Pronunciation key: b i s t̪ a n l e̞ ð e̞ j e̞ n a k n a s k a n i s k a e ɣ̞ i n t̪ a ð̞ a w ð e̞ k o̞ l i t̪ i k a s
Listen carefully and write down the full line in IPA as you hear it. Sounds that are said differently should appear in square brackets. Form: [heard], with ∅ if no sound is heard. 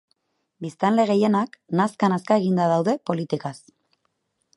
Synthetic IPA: b i s t̪ a n l e̞ [ɣ] e̞ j e̞ n a k n a s k a n [a] s k a e ɣ̞ i n [d̪] a ð̞ a w ð e̞ [p] o̞ l i t̪ i k a s